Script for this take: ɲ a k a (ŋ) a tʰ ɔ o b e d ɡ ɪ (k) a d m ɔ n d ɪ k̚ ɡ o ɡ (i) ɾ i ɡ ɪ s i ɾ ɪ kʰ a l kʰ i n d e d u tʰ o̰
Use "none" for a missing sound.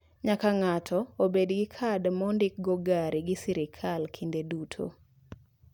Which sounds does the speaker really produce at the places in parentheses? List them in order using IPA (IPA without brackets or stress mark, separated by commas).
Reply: ŋ, kʰ, a